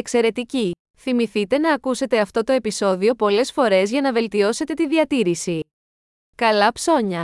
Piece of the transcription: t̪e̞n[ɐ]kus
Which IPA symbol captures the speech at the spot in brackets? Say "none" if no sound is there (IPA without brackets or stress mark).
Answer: ɐː